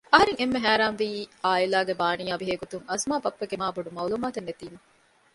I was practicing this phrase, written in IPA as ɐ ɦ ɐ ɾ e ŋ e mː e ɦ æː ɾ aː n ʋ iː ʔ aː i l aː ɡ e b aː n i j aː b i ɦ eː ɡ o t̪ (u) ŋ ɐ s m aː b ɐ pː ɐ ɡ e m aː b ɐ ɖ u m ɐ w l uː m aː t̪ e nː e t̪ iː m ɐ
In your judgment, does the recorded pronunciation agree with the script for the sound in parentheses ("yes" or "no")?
yes